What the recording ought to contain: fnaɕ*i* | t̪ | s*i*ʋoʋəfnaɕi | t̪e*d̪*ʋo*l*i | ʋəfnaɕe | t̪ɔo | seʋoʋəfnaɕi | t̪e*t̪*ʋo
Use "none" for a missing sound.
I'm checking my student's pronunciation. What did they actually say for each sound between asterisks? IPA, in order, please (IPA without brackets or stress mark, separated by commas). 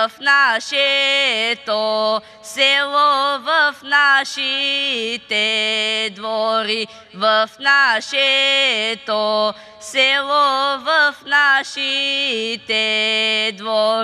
e, e, d̪, ɾ, d̪